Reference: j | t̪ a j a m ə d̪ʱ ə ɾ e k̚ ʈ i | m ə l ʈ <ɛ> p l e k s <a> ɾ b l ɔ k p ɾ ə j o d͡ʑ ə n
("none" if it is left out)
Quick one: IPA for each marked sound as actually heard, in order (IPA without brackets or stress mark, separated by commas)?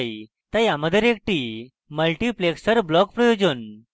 i, ə